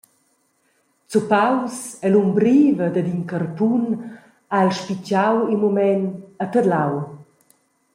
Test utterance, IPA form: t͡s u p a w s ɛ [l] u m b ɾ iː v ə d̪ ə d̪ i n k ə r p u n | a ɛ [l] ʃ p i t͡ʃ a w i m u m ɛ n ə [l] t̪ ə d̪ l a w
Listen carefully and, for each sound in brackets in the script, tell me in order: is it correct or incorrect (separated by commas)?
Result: correct, correct, incorrect